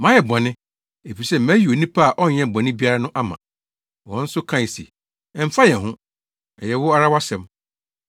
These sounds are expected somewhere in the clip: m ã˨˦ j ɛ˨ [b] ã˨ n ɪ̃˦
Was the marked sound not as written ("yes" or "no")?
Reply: no